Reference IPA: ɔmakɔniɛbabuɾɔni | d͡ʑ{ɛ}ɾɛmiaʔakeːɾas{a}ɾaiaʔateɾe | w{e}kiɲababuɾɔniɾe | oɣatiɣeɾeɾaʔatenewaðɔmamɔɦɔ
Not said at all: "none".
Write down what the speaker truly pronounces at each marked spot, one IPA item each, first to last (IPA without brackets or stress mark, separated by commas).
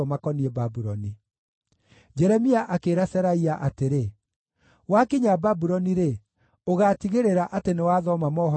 ɛ, ɛ, a